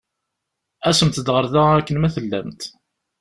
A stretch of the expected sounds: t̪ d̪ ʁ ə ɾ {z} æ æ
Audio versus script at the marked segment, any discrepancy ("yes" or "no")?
yes